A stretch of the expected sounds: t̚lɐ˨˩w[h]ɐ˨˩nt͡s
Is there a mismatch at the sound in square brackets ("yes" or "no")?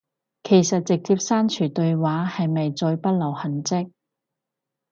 no